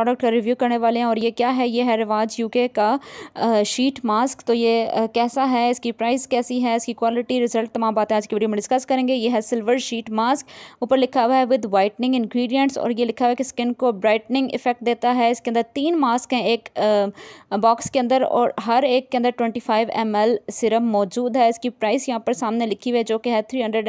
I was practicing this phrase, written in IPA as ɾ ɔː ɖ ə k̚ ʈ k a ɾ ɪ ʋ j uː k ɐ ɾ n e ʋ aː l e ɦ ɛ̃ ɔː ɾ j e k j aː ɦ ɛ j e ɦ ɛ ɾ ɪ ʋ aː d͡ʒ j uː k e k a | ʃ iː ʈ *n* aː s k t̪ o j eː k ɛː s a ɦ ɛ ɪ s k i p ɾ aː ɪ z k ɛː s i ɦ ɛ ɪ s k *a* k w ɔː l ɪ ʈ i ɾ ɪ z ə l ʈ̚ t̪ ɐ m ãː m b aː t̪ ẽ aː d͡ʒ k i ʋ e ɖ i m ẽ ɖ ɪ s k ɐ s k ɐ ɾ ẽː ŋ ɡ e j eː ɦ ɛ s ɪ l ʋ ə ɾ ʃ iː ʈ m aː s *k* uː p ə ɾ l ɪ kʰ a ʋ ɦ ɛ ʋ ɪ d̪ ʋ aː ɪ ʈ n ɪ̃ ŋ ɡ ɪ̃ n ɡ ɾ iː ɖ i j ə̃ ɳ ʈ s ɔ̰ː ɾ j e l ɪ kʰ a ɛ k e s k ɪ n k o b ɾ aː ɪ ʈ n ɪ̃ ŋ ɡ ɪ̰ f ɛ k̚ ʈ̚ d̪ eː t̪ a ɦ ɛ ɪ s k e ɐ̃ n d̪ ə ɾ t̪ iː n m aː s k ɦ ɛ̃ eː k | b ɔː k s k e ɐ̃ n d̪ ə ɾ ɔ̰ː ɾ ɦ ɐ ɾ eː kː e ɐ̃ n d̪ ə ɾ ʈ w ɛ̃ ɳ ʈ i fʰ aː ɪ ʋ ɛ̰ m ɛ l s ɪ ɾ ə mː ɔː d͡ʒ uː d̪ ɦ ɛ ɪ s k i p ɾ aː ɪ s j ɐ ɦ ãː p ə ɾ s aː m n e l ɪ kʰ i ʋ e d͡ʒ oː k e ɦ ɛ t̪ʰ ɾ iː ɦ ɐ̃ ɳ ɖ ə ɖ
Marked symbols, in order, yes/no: no, no, yes

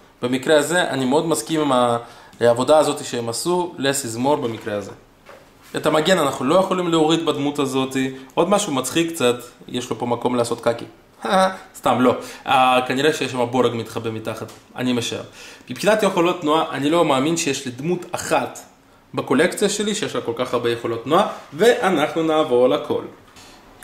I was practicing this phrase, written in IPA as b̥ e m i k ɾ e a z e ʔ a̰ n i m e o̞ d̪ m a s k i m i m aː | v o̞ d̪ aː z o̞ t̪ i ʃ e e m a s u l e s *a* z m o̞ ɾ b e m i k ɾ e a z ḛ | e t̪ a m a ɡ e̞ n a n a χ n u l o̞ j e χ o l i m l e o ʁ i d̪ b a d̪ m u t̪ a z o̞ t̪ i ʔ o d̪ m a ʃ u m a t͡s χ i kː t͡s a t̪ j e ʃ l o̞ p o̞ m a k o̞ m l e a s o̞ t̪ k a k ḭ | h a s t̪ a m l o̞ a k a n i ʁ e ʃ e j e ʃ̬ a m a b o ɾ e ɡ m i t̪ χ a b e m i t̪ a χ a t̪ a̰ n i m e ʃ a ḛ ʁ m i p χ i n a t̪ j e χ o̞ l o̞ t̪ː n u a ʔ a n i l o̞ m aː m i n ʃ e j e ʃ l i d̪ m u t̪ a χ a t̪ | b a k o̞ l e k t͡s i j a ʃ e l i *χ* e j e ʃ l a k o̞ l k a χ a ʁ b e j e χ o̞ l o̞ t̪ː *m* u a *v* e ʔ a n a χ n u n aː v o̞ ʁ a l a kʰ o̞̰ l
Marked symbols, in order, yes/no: no, no, no, yes

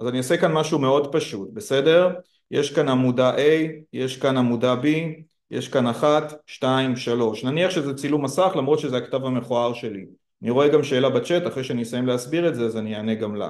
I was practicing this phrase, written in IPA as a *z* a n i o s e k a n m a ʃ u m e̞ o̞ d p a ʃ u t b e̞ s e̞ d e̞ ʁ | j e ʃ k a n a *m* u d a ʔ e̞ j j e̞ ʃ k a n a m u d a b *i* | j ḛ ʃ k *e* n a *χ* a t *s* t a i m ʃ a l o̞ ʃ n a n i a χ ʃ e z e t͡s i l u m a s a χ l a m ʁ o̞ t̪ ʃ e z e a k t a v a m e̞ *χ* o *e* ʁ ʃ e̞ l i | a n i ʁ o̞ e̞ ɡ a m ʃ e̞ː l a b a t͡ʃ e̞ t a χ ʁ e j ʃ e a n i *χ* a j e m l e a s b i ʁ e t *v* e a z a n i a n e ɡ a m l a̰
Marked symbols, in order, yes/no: yes, yes, yes, no, yes, no, yes, no, no, no

